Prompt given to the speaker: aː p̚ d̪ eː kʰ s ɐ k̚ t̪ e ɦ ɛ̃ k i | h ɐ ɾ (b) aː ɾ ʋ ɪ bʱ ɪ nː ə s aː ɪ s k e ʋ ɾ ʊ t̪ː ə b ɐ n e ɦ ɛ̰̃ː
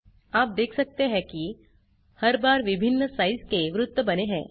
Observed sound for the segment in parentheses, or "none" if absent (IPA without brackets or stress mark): b